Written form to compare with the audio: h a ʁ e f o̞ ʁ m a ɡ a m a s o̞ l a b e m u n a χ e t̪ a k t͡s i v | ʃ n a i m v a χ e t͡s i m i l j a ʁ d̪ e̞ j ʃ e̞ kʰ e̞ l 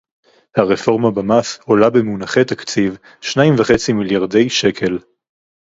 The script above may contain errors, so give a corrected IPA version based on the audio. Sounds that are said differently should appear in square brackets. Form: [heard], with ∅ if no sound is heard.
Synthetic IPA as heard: h a ʁ e f o̞ ʁ m a [b] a m a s o̞ l a b e m u n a χ e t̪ a k t͡s i v | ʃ n a i m v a χ e t͡s i m i l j a ʁ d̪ e̞ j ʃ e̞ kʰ e̞ l